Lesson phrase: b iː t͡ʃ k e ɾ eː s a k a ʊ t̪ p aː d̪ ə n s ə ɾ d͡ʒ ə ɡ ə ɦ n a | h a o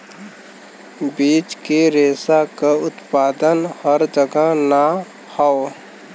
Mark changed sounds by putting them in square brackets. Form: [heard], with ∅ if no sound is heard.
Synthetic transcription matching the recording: b iː t͡ʃ k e ɾ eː s a k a ʊ t̪ p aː d̪ ə n [h] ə ɾ d͡ʒ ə ɡ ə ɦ n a | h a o